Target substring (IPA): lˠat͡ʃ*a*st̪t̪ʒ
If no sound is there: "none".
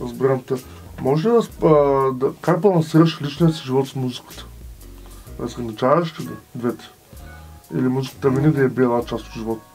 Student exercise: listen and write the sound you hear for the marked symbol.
a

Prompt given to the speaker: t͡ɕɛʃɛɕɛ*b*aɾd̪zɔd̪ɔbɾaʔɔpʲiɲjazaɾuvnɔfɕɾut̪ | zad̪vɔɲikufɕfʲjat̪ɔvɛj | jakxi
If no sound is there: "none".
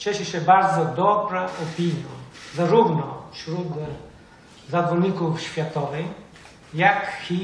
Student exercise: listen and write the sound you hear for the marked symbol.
b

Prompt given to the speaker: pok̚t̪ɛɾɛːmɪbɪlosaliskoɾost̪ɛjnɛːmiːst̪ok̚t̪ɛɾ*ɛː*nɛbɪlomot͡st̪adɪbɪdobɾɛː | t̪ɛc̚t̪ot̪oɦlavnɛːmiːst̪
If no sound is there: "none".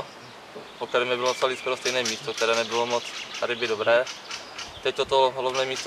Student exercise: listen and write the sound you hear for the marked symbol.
ɛː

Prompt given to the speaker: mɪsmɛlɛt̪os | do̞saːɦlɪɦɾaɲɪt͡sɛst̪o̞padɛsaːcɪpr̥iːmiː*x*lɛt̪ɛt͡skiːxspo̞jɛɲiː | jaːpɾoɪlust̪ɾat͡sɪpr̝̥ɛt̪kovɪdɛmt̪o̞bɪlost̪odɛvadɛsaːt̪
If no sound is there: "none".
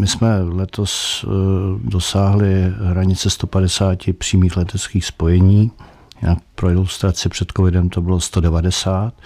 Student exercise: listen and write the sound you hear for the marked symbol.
x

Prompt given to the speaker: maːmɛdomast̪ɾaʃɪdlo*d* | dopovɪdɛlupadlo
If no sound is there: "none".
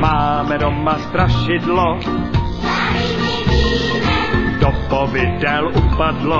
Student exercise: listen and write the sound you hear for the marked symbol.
none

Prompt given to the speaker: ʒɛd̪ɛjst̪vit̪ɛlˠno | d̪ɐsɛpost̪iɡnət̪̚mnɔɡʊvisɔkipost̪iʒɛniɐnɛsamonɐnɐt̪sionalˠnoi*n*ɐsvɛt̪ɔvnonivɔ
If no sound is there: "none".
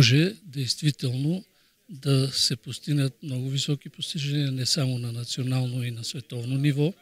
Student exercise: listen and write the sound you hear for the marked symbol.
n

